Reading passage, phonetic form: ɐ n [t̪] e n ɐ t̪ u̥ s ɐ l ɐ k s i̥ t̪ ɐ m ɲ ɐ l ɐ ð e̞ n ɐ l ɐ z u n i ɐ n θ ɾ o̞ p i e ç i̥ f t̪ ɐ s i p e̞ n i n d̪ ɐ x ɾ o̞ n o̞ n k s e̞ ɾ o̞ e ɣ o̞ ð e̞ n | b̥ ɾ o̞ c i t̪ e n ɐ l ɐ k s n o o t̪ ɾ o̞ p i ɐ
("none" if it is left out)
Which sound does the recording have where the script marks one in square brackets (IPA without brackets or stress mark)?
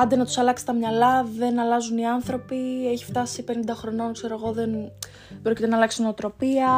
d̪